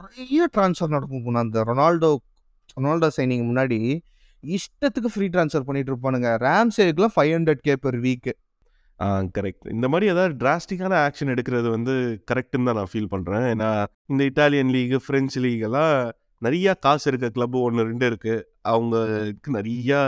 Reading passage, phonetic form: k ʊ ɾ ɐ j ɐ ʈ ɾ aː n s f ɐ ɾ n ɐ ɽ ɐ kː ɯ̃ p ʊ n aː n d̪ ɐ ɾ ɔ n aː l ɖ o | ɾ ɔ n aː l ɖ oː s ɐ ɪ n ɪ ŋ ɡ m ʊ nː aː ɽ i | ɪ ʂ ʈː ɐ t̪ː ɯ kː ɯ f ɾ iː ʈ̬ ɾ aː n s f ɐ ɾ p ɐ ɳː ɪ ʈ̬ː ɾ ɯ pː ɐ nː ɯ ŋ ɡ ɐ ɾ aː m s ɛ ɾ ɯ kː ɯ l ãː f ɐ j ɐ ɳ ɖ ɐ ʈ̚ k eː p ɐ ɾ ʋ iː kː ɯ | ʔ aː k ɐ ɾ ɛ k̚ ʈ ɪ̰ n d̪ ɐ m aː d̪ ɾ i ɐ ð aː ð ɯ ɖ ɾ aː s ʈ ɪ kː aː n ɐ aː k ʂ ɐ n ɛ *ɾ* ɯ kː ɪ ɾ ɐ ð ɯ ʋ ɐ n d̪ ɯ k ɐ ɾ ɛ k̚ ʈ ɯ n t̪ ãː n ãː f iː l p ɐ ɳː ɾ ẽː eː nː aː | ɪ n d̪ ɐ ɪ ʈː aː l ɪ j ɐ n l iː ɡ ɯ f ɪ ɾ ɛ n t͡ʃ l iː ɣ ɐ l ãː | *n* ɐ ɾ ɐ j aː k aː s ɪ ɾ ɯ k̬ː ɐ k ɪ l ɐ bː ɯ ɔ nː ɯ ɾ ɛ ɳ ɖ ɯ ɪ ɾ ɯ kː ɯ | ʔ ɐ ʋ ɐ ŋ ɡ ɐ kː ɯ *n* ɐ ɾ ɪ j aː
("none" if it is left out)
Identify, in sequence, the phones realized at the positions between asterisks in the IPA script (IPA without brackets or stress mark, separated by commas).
ɽ, n, n